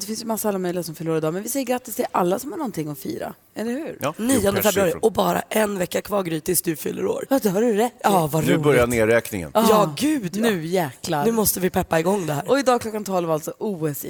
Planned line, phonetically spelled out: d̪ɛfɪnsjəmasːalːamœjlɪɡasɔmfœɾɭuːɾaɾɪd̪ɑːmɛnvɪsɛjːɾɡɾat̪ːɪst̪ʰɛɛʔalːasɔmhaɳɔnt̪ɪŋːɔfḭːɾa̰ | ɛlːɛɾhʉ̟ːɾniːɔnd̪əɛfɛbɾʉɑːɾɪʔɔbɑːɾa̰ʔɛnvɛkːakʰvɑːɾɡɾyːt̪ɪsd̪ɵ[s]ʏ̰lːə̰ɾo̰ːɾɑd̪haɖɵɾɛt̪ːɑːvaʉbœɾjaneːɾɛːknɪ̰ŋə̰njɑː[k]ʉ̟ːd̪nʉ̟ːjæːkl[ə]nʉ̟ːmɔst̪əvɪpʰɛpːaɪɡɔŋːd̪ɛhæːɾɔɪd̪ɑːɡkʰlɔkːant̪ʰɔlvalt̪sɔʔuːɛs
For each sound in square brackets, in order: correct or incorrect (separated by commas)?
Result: incorrect, incorrect, incorrect